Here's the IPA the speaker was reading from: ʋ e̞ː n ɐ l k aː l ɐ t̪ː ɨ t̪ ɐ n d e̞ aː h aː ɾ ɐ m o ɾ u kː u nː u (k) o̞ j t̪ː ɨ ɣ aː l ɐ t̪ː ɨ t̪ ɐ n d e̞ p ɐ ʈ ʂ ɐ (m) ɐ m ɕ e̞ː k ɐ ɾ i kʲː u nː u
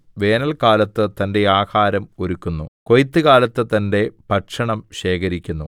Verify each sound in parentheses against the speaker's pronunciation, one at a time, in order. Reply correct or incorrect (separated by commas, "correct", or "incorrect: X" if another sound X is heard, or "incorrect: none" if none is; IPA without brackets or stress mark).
correct, incorrect: ɳ